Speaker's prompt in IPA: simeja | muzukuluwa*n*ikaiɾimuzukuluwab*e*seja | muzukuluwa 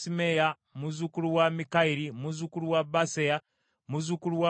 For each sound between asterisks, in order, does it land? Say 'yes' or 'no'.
no, no

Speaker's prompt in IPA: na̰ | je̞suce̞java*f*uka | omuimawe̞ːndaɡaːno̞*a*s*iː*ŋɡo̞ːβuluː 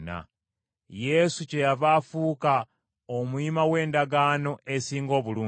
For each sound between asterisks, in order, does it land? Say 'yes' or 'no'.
yes, no, yes

